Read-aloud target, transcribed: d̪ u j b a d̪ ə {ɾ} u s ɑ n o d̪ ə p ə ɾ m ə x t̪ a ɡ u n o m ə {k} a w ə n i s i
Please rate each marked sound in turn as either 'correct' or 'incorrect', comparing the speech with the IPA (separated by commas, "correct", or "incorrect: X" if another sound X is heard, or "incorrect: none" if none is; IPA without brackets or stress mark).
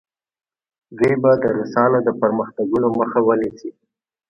correct, incorrect: x